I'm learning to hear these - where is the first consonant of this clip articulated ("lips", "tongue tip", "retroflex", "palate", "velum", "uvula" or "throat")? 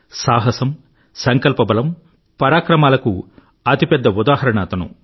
tongue tip